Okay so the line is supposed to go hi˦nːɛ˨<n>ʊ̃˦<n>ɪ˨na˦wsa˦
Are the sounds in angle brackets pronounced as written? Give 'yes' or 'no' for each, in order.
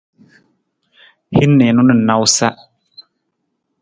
yes, yes

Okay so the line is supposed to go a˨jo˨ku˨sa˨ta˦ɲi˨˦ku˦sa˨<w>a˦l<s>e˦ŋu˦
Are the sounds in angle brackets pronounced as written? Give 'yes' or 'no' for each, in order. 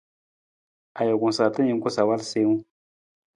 yes, yes

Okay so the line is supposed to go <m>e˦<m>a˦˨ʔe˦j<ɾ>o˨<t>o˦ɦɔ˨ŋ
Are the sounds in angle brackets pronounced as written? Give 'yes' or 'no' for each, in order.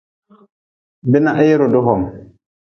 no, no, yes, no

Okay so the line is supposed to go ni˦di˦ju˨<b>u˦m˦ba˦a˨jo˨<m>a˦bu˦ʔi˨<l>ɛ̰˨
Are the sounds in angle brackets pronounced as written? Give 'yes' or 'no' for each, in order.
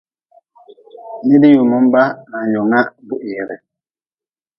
no, no, no

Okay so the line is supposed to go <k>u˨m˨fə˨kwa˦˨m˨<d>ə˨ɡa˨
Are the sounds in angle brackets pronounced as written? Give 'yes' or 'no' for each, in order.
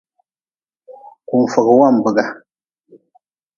yes, no

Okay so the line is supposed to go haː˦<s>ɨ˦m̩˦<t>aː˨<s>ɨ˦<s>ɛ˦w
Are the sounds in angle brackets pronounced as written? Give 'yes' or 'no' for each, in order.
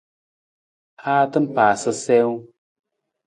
no, no, yes, yes

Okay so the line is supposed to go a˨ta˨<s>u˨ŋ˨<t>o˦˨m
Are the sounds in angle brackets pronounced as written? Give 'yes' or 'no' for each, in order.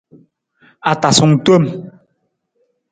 yes, yes

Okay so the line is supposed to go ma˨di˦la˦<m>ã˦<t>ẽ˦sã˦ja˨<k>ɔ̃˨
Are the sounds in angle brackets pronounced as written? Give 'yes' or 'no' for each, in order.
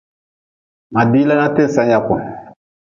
no, yes, yes

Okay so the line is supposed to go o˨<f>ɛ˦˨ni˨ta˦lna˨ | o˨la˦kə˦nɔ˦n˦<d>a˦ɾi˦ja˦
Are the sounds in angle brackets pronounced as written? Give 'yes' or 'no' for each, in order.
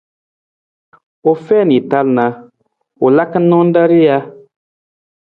yes, yes

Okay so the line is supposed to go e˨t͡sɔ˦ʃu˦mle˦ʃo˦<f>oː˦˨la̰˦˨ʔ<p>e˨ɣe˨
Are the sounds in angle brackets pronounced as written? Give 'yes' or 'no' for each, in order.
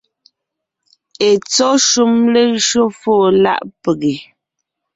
yes, yes

